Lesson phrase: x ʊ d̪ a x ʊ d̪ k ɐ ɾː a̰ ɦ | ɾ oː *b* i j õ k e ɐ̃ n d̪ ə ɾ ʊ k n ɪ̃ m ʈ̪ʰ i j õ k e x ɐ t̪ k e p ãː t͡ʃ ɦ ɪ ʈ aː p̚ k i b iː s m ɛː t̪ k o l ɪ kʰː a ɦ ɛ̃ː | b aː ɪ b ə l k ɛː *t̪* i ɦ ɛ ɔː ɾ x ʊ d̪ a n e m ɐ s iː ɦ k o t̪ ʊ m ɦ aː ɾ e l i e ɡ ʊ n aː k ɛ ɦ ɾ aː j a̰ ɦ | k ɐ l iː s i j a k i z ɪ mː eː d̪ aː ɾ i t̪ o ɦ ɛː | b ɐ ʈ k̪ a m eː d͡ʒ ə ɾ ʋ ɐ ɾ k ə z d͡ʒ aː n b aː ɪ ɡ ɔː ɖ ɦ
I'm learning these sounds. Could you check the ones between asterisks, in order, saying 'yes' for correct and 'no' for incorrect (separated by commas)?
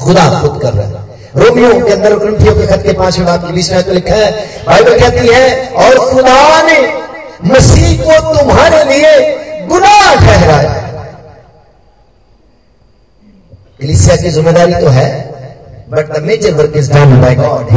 no, yes